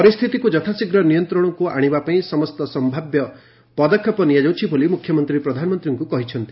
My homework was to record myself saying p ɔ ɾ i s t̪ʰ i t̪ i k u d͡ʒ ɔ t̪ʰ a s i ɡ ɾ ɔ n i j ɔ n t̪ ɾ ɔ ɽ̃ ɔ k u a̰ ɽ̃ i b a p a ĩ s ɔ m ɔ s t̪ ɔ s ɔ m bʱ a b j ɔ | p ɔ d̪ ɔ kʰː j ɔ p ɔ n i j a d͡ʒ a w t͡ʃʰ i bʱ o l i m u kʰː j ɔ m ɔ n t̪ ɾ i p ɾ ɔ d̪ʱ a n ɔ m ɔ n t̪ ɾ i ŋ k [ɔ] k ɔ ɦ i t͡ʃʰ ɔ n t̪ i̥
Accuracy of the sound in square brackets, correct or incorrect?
incorrect